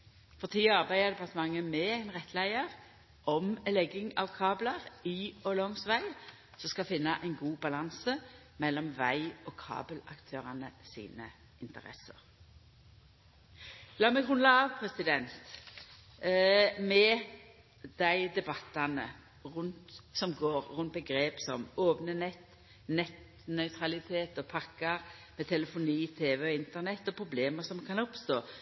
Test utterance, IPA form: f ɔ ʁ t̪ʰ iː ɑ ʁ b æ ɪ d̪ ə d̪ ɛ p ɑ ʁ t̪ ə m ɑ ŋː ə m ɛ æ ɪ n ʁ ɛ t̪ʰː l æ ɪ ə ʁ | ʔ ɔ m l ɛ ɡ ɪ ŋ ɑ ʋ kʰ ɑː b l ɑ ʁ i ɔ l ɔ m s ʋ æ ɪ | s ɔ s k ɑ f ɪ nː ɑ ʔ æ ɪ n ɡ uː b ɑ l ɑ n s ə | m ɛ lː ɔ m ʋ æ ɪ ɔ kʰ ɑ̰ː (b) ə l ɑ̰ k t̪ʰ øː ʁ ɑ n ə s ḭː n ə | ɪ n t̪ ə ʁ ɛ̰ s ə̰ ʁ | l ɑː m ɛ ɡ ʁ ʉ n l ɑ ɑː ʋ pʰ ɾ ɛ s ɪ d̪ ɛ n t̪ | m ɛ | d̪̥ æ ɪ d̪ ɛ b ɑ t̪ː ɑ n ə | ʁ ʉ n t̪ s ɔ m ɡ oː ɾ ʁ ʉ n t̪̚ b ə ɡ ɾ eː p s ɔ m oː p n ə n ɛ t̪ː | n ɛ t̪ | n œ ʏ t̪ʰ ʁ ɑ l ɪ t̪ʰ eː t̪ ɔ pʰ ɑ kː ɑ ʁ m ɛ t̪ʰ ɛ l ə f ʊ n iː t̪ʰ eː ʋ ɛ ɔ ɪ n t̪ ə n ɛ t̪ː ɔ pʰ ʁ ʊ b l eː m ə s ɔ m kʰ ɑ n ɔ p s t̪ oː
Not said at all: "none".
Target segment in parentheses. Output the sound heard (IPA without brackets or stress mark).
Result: b